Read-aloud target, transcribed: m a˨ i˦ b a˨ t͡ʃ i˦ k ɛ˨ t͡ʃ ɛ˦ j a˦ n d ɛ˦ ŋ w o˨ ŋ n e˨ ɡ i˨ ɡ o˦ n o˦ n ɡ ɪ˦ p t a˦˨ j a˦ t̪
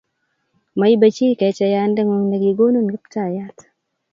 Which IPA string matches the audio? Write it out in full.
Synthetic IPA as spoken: m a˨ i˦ b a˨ t͡ʃ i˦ k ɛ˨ t͡ʃ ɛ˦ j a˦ n d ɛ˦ ŋ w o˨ ŋ n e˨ ɡ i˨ ɡ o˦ n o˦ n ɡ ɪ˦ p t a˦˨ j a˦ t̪